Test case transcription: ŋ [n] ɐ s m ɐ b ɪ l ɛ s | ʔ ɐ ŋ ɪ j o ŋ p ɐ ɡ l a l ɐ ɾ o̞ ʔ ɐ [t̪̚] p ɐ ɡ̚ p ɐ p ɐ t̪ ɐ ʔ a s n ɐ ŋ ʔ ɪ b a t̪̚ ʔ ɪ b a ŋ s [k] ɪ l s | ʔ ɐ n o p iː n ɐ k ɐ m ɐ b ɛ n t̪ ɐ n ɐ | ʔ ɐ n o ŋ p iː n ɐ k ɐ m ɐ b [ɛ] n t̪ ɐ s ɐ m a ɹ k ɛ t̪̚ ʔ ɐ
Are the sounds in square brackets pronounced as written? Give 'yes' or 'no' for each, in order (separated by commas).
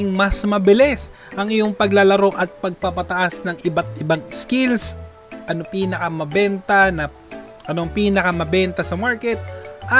no, yes, yes, yes